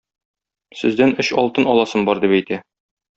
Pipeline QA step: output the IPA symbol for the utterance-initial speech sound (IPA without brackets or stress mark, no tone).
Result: s